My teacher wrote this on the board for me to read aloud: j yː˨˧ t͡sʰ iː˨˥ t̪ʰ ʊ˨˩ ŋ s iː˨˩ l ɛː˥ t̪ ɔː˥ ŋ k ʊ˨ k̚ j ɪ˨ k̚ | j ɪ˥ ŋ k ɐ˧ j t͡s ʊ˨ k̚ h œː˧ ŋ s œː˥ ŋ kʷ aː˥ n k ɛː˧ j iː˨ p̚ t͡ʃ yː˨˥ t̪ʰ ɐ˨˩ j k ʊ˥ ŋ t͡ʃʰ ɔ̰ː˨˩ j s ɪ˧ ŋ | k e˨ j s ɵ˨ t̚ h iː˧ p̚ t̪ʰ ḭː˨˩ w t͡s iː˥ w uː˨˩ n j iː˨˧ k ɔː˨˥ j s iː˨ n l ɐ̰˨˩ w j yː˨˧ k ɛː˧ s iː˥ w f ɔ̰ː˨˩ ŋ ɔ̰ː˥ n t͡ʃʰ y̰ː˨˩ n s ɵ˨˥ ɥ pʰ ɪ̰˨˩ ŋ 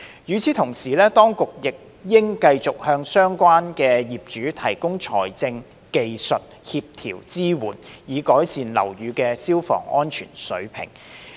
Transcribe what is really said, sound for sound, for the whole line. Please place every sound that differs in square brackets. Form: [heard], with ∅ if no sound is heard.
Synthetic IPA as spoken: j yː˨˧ t͡sʰ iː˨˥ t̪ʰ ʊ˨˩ ŋ s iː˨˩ l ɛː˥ t̪ ɔː˥ ŋ k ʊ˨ k̚ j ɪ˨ k̚ | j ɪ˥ ŋ k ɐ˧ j t͡s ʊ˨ k̚ h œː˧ ŋ s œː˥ ŋ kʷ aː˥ n k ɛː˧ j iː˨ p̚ t͡ʃ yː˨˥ t̪ʰ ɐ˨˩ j k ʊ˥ ŋ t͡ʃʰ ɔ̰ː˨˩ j [t͡s] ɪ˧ ŋ | k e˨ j s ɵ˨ t̚ h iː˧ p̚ t̪ʰ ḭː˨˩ w t͡s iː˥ w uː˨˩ n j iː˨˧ k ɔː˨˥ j s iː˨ n l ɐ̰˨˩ w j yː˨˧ k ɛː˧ s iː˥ w f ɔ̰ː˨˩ ŋ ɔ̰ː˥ n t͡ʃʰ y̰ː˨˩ n s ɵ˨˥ ɥ pʰ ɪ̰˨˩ ŋ